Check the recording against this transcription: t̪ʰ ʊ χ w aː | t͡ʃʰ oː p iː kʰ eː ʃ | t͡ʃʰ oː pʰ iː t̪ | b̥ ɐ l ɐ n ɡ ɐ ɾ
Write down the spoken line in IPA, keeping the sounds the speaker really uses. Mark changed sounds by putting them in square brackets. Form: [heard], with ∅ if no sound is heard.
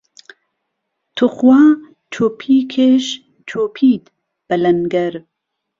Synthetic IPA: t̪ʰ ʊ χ w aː | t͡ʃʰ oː [pʰ] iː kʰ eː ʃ | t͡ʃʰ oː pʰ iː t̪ | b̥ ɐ l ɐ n ɡ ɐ ɾ